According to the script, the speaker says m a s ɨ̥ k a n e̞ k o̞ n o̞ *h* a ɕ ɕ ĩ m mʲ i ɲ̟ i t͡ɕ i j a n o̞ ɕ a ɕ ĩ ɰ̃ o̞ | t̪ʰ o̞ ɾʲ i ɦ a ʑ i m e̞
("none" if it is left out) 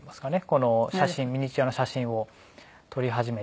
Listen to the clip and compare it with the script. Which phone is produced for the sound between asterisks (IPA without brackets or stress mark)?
ɕ